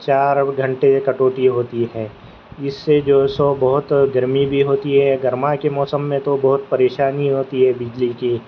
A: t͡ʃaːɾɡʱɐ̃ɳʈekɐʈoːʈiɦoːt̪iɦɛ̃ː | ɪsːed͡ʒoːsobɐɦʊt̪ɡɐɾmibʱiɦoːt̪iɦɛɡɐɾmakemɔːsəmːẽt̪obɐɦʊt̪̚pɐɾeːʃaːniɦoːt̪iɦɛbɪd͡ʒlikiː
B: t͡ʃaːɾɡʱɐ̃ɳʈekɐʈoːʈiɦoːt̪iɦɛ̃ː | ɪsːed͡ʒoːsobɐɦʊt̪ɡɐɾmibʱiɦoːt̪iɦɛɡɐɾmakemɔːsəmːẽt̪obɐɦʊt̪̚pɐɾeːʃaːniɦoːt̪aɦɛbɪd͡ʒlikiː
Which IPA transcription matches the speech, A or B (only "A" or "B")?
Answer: A